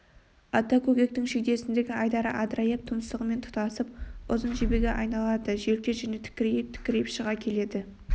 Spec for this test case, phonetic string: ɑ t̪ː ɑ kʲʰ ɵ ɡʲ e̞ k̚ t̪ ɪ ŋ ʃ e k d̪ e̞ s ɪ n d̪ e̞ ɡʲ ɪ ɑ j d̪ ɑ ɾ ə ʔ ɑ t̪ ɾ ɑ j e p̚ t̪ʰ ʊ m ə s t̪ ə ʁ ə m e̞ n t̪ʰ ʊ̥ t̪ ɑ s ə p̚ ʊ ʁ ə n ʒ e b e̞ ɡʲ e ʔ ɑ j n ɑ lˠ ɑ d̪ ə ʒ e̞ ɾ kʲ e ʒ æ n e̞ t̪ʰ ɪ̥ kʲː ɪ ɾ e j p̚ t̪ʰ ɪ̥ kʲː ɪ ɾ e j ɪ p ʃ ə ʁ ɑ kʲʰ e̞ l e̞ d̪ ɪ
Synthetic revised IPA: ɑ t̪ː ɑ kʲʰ ɵ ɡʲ e̞ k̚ t̪ ɪ ŋ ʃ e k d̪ e̞ s ɪ n d̪ e̞ ɡʲ ɪ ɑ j d̪ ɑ ɾ ə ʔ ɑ d̪ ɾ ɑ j e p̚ t̪ʰ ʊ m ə s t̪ ə ʁ ə m e̞ n t̪ʰ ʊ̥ t̪ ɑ s ə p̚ ʊ z ə n ʒ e b e̞ ɡʲ e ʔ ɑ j n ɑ lˠ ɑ d̪ ə ʒ e̞ l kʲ e ʒ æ n e̞ t̪ʰ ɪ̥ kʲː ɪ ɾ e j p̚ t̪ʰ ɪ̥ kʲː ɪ ɾ e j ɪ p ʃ ə ʁ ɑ kʲʰ e̞ l e̞ d̪ ɪ